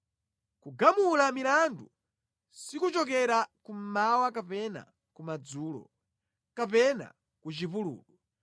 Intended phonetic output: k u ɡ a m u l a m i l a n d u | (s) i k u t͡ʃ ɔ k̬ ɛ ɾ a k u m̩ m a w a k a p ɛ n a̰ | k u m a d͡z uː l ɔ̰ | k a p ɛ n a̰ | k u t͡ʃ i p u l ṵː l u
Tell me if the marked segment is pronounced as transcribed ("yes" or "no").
yes